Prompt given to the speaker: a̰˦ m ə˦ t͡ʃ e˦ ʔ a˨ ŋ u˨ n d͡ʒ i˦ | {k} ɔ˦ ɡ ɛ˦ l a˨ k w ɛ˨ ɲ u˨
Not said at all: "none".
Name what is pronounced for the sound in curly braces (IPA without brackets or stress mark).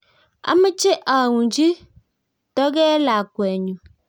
t